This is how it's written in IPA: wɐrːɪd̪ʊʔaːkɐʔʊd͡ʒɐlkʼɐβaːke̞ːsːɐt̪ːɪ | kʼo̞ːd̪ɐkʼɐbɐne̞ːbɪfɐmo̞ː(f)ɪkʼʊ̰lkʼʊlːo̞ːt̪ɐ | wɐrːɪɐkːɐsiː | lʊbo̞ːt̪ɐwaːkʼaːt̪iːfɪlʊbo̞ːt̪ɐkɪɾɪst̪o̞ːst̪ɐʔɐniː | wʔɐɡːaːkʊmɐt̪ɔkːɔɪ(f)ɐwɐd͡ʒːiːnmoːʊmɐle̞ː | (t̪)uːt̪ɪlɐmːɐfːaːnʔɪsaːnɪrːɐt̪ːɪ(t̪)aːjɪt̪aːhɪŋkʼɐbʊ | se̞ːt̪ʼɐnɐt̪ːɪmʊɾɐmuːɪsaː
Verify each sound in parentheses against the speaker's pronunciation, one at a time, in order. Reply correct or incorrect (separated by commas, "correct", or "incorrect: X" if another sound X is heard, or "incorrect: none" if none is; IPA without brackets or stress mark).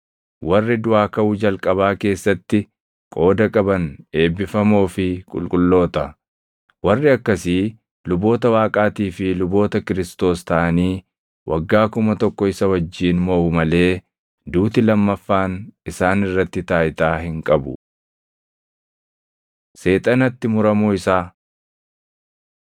correct, incorrect: s, incorrect: d̪, correct